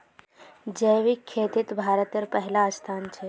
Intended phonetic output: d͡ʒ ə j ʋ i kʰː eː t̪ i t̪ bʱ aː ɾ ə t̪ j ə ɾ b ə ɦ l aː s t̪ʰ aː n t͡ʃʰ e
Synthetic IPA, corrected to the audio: d͡ʒ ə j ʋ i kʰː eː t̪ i t̪ bʱ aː ɾ ə t̪ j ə ɾ p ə ɦ l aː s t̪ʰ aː n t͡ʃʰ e